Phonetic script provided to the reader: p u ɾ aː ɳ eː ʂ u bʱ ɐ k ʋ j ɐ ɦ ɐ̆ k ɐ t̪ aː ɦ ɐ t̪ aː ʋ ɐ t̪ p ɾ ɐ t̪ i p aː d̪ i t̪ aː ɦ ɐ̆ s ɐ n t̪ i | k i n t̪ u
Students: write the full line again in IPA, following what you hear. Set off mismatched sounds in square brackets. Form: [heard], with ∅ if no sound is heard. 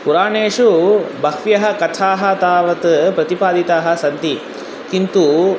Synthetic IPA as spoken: p u ɾ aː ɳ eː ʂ u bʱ ɐ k ʋ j ɐ ɦ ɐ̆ k ɐ [t̪ʰ] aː ɦ ɐ t̪ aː ʋ ɐ t̪ p ɾ ɐ t̪ i p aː d̪ i t̪ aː ɦ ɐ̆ s ɐ n t̪ i | k i n t̪ u